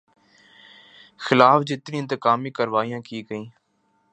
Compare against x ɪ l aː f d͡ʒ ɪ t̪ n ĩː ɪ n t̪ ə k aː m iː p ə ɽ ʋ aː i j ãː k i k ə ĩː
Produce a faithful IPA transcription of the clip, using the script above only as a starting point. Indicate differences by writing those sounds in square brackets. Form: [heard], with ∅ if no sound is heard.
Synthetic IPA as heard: x ɪ l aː f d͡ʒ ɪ t̪ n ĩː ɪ n t̪ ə k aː m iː [k] ə [ɾ] ʋ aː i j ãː k [iː] k ə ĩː